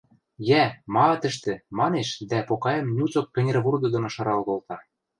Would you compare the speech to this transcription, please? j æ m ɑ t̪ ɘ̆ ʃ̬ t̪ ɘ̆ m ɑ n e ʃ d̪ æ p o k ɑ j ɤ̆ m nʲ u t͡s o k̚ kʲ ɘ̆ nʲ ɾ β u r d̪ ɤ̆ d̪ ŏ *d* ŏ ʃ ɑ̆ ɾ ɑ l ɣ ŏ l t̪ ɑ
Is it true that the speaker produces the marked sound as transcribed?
no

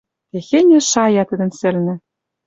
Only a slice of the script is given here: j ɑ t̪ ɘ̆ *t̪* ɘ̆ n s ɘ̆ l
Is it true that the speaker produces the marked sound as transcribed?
no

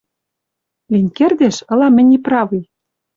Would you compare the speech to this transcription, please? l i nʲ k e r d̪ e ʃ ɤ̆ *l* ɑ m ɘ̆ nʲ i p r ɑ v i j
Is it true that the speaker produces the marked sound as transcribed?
yes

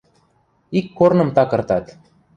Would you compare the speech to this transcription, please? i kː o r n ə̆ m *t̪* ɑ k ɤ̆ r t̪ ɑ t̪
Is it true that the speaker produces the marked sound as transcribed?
yes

